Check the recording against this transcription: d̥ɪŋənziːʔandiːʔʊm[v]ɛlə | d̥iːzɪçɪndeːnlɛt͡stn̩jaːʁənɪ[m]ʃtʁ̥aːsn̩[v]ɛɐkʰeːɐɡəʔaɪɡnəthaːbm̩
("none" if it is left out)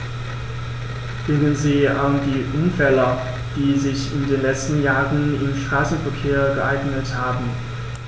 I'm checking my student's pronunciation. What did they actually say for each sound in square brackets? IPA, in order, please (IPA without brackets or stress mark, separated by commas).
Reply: f, m, f